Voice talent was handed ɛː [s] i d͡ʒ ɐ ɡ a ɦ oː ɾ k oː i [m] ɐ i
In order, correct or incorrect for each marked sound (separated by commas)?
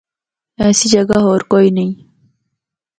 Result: correct, incorrect